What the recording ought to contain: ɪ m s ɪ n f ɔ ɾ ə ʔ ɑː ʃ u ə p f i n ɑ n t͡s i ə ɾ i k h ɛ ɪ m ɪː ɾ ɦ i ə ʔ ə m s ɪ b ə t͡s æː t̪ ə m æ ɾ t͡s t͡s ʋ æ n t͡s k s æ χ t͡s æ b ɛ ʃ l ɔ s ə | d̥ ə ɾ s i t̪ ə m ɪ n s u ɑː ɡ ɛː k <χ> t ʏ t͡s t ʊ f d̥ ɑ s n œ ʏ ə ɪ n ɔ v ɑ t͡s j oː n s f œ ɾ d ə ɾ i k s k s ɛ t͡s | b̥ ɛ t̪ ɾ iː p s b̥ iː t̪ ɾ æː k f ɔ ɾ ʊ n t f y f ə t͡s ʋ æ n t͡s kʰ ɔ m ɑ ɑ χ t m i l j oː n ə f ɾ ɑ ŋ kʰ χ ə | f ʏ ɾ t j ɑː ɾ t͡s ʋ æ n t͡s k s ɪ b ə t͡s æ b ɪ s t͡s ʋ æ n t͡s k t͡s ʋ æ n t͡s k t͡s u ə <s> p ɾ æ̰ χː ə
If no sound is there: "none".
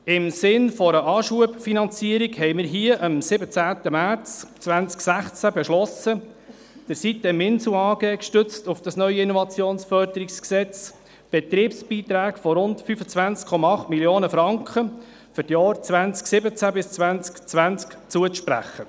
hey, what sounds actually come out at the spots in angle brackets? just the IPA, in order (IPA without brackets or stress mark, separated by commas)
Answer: ʃ, ʃ